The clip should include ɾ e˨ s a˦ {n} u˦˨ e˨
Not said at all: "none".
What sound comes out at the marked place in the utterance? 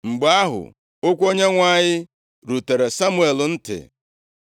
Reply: m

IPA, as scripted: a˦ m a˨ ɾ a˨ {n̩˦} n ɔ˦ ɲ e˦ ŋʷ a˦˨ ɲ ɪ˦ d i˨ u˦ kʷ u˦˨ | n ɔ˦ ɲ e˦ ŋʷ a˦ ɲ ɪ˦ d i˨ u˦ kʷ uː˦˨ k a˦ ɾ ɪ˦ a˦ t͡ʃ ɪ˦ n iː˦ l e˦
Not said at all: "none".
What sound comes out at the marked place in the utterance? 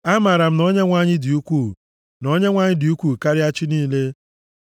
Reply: m̩˦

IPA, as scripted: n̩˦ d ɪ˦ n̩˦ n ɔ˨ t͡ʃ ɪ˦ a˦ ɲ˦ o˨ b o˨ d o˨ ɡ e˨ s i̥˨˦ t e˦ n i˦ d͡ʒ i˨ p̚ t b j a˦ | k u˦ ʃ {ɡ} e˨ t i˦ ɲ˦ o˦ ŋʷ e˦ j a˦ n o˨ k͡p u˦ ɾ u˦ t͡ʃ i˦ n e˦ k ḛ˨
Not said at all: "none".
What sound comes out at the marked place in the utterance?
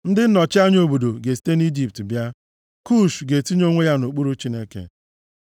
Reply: ɡ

